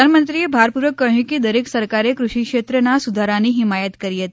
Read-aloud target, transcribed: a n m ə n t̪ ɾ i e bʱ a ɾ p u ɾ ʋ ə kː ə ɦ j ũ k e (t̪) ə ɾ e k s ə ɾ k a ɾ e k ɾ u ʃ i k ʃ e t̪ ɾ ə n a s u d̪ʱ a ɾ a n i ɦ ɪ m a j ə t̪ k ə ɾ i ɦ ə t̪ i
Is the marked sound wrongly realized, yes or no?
yes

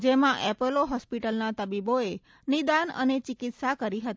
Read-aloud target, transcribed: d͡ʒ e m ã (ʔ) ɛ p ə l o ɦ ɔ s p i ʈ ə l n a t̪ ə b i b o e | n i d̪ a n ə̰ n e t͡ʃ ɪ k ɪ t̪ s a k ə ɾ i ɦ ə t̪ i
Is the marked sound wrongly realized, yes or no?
no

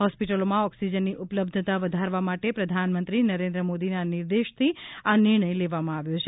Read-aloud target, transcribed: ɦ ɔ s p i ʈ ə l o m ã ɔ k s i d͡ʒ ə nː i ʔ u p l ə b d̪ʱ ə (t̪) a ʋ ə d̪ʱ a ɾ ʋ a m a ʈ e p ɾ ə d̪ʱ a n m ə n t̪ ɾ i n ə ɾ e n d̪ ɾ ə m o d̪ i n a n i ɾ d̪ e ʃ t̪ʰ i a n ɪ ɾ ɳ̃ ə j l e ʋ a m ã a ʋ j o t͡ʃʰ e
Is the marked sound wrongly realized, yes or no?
no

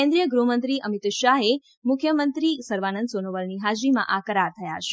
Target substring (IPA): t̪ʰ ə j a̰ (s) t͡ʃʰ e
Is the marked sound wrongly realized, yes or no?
yes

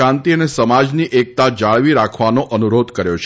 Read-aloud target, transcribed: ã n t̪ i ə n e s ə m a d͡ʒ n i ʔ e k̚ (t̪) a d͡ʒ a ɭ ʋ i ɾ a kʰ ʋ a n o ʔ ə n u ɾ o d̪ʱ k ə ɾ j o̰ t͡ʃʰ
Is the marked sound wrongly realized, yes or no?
no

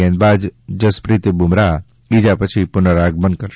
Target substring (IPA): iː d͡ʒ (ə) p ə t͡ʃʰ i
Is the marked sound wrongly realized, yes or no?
yes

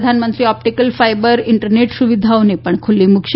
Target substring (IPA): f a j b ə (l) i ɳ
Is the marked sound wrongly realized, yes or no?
yes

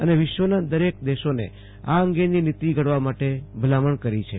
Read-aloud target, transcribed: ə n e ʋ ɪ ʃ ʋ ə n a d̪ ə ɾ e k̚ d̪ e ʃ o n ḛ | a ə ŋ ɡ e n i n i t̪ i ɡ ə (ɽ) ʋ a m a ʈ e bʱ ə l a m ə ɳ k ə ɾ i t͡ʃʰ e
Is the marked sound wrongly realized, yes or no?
no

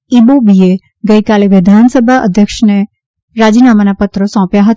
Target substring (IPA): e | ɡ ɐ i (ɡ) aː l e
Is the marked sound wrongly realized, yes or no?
yes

